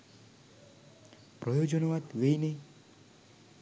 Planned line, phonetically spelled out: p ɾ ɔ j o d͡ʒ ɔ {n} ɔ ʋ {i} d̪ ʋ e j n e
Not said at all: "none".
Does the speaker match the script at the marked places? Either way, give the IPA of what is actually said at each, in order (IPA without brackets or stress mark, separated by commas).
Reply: n, a